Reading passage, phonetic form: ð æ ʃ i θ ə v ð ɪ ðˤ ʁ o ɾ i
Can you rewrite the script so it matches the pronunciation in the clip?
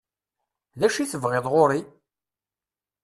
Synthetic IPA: ð æ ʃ i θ ə v ʁ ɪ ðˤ ʁ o ɾ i